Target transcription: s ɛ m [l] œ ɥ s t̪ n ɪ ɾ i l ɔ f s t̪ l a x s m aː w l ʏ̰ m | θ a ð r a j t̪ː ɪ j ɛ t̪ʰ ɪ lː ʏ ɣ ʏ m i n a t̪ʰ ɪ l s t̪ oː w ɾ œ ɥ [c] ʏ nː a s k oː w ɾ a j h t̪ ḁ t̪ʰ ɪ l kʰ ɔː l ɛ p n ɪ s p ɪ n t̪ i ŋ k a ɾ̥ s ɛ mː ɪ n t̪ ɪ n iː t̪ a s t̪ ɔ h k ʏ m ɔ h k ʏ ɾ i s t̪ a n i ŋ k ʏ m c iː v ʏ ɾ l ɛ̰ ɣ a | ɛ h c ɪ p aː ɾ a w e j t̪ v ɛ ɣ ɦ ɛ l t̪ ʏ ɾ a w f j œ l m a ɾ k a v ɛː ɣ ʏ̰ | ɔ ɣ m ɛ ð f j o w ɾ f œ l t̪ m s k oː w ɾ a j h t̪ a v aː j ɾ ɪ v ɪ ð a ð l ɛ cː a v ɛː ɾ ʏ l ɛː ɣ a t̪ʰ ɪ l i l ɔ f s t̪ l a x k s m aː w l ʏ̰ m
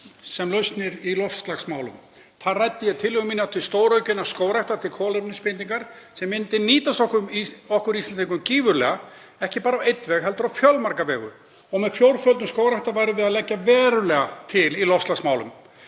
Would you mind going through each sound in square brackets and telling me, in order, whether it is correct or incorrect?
correct, correct

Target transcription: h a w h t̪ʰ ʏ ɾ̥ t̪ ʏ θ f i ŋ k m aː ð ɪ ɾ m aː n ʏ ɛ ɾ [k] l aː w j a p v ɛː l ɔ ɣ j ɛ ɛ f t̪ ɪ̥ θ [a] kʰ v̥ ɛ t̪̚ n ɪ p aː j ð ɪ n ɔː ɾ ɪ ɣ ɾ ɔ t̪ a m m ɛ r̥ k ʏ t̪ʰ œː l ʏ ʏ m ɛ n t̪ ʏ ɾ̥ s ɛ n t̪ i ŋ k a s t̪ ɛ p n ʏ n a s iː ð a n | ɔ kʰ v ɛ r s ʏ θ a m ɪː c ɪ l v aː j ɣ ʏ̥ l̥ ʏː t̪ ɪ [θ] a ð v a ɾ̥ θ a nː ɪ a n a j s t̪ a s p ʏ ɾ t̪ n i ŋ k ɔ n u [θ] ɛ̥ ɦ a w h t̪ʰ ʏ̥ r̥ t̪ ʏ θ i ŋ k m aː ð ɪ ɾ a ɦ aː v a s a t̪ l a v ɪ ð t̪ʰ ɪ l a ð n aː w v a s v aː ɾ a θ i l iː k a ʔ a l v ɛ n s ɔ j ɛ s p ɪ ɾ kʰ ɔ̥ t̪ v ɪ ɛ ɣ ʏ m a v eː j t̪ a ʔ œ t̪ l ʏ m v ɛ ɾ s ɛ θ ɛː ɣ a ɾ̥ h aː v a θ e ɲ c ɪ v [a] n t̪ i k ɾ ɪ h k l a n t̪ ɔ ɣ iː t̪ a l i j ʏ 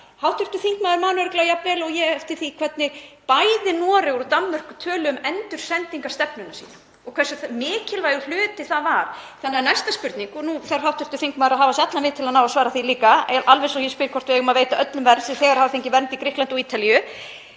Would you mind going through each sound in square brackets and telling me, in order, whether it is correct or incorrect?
correct, incorrect, correct, correct, incorrect

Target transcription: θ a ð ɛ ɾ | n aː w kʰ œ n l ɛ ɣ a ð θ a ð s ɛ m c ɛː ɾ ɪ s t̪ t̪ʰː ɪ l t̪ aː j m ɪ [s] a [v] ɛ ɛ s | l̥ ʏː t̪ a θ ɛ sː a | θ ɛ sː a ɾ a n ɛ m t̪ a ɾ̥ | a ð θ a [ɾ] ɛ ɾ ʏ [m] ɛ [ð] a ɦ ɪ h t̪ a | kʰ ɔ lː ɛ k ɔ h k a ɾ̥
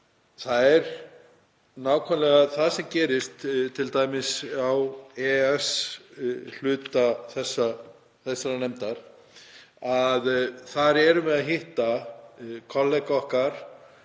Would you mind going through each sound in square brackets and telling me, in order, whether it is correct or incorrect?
correct, incorrect, correct, correct, correct

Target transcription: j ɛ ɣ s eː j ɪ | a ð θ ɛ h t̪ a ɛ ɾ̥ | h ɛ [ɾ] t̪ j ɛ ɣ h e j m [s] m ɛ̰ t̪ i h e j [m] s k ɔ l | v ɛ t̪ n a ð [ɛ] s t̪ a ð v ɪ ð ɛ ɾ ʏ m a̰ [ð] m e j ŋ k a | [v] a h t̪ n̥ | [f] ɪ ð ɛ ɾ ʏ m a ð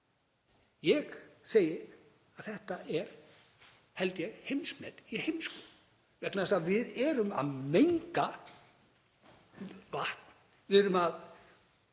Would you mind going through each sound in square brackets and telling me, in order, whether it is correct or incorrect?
incorrect, correct, correct, correct, correct, correct, incorrect

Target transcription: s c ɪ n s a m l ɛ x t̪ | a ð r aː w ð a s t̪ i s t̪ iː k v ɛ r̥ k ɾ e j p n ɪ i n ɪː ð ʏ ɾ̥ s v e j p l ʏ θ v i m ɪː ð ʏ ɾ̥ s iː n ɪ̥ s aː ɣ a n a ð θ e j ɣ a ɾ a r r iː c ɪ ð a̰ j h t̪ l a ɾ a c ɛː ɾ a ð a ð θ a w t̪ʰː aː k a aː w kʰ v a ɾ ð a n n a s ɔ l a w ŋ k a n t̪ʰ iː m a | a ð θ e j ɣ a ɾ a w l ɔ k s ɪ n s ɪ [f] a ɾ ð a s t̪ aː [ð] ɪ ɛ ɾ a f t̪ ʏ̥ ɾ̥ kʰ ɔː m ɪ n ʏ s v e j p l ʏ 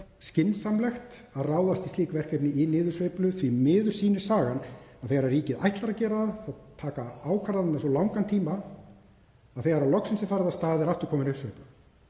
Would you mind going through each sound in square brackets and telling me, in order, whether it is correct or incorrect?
correct, correct

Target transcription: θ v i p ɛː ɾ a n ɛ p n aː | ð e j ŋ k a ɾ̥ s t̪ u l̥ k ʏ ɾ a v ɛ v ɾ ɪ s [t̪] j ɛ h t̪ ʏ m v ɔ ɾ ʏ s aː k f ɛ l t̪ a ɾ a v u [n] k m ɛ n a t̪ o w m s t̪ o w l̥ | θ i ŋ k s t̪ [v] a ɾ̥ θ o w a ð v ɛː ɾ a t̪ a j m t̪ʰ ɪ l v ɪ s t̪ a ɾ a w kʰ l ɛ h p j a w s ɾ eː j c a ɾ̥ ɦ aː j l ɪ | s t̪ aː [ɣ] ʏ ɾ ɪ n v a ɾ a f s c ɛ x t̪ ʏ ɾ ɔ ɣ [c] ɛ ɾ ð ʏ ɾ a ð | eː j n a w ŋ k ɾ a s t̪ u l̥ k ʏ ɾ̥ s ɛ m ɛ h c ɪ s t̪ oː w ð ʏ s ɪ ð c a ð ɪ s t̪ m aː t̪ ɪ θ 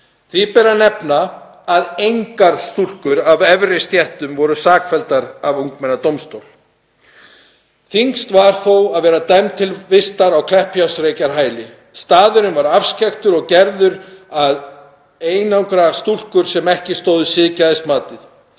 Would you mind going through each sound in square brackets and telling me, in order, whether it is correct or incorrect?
correct, incorrect, correct, incorrect, correct

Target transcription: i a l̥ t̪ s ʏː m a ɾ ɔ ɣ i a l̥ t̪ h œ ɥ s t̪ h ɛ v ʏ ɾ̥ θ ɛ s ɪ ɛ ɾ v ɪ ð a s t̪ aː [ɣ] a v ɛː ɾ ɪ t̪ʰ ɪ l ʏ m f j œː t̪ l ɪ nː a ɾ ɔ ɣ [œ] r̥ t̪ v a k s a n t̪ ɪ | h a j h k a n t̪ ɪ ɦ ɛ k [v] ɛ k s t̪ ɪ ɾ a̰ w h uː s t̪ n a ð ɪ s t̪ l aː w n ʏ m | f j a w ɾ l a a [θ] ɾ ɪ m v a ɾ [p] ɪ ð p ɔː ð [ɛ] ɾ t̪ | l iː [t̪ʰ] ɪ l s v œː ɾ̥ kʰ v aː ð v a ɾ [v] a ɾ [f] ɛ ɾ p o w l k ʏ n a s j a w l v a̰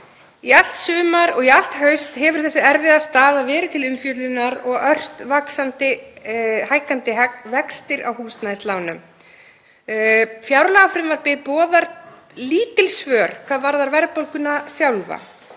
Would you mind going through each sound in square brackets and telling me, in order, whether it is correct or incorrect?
incorrect, correct, correct, incorrect, correct, incorrect, incorrect, incorrect, incorrect

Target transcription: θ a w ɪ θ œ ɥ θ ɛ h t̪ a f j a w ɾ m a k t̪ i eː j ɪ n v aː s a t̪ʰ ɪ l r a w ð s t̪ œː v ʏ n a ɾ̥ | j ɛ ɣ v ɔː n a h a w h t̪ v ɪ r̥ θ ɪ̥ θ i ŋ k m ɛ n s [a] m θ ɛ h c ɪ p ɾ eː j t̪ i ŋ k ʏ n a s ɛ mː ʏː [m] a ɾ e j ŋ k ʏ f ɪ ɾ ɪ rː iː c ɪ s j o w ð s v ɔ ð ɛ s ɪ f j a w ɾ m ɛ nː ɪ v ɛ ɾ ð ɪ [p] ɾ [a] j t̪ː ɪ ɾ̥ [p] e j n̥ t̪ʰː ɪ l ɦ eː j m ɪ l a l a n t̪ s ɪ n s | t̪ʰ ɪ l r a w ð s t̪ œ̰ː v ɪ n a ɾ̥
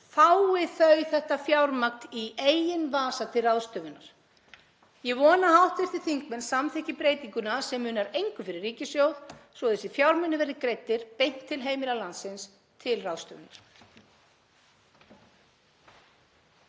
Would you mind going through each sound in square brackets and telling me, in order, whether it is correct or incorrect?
correct, incorrect, incorrect, incorrect, correct

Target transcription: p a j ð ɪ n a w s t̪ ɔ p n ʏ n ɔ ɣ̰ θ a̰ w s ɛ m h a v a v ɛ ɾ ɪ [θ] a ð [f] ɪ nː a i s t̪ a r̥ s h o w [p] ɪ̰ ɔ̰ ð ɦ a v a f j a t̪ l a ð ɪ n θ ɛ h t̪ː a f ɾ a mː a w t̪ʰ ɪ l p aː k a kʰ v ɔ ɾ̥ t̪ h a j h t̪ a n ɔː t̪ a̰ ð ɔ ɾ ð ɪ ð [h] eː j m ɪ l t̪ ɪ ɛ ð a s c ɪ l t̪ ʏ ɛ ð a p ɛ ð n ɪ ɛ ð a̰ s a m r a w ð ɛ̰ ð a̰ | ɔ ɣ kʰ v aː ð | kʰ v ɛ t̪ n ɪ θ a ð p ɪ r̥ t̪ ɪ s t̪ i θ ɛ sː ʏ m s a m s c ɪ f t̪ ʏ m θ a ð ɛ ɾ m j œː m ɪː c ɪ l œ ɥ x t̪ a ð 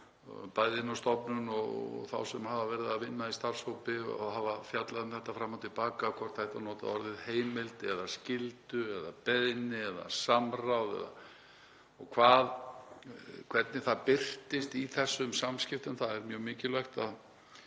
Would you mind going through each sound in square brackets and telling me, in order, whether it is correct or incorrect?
incorrect, incorrect, correct, correct

